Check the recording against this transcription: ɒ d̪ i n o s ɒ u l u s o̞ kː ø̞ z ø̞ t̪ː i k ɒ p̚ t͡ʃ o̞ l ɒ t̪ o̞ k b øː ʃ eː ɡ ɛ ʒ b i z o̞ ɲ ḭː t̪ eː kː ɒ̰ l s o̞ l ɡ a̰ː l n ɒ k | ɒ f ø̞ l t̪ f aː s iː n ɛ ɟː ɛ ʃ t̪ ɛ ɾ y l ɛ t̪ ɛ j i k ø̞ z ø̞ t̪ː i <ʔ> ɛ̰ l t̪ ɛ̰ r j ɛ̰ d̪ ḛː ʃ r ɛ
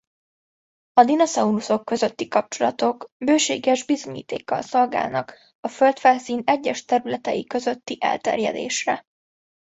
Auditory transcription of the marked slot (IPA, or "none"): ʔ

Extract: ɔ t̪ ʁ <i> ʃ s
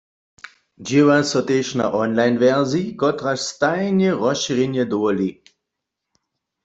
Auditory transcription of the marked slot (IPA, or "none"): a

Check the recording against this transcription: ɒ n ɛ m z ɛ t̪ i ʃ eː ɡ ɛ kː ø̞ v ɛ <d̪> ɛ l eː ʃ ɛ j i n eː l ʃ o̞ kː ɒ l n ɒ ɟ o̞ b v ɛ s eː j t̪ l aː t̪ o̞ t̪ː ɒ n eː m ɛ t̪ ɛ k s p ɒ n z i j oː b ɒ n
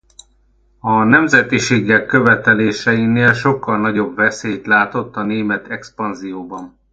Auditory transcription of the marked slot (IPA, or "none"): t̪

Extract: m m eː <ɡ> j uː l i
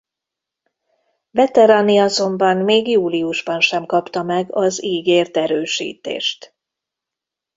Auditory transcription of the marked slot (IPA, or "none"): ɡ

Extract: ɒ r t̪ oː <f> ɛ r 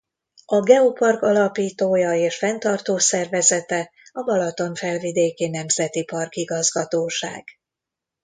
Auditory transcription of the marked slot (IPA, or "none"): s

